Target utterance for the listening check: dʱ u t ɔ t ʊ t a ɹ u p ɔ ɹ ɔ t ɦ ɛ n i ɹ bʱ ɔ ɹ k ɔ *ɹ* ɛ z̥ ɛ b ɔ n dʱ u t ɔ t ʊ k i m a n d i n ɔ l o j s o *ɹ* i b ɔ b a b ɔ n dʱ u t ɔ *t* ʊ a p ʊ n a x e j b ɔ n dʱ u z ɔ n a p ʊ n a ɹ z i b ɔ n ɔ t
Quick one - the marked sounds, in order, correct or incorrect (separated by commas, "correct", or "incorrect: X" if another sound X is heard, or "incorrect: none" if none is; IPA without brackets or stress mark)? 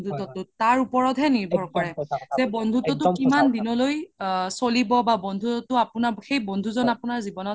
correct, incorrect: l, correct